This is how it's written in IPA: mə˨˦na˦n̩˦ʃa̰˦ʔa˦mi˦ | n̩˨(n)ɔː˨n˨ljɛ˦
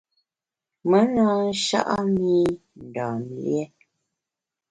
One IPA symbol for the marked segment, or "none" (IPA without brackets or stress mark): d